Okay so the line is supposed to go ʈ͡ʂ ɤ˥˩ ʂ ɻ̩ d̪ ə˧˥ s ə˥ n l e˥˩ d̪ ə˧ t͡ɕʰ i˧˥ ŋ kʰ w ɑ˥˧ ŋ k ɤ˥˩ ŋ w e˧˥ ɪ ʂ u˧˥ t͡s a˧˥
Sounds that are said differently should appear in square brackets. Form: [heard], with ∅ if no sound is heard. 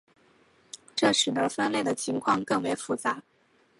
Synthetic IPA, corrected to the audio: ʈ͡ʂ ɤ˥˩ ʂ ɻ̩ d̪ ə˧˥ [f] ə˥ n l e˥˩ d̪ [ə˩] t͡ɕʰ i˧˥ ŋ kʰ w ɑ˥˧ ŋ k ɤ˥˩ ŋ w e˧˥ ɪ [f] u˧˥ t͡s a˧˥